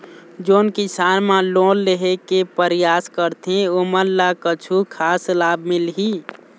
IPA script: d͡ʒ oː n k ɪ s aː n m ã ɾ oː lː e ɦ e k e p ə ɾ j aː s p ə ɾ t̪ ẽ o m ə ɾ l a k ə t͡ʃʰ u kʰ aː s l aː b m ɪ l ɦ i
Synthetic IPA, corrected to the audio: d͡ʒ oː n k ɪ s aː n m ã l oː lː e ɦ e k e p ə ɾ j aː s k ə ɾ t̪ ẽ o m ə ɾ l a k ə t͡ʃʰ u kʰ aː s l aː b m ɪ l ɦ i